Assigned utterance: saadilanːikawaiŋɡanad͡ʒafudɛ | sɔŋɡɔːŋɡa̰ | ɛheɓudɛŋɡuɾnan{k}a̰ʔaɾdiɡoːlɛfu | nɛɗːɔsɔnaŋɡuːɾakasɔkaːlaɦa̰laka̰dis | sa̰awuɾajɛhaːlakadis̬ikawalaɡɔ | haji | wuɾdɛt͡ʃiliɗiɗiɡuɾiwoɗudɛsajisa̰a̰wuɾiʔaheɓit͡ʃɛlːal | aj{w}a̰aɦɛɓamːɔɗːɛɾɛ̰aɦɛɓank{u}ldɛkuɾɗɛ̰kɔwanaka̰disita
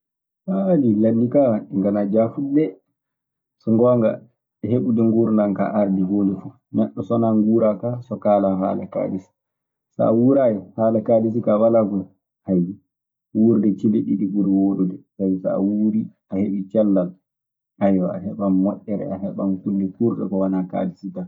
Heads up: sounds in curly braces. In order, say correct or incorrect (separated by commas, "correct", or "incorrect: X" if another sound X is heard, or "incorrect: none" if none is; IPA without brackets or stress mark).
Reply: correct, correct, correct